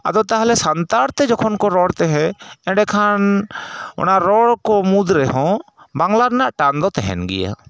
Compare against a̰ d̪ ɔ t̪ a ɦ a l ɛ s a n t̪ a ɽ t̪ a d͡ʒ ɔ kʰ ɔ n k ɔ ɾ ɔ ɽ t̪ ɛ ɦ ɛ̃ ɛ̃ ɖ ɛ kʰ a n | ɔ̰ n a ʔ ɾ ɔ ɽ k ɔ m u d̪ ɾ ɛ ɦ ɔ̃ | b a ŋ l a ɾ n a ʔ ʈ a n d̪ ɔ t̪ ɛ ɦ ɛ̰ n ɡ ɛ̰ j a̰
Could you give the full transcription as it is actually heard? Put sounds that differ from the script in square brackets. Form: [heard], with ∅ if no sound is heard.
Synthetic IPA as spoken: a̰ d̪ ɔ t̪ a ɦ a l ɛ s a n t̪ a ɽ t̪ [ɛ] d͡ʒ ɔ kʰ ɔ n k ɔ ɾ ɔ ɽ t̪ ɛ ɦ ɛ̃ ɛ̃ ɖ ɛ kʰ a n | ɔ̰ n a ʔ ɾ ɔ ɽ k ɔ m u d̪ ɾ ɛ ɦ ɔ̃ | b a ŋ l a ɾ n a ʔ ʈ a n d̪ ɔ t̪ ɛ ɦ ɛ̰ n ɡ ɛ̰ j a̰